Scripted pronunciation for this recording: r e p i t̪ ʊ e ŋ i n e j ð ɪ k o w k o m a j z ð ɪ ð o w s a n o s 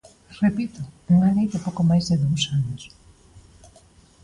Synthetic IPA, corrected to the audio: r e p i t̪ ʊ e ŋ a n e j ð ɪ p o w k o m a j z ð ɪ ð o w s a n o s